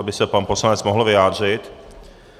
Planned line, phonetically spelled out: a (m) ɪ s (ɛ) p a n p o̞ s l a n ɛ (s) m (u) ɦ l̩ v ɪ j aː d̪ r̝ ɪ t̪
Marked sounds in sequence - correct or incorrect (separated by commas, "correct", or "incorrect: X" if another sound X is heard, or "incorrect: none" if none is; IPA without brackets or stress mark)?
incorrect: b, correct, incorrect: t͡s, incorrect: o